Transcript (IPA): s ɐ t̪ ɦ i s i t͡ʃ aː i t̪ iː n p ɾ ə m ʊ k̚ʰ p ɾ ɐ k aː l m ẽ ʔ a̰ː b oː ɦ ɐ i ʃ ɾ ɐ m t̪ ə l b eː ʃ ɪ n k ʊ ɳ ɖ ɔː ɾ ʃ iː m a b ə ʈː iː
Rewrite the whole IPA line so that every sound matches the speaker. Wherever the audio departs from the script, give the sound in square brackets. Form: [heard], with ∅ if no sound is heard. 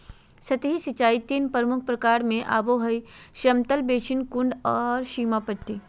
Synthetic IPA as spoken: s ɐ t̪ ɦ i s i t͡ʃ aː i t̪ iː n p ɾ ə m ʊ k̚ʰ p ɾ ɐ k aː [ɾ] m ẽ ʔ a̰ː b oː ɦ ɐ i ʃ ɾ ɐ m t̪ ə l b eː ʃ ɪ n k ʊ ɳ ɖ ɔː ɾ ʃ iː m a [p] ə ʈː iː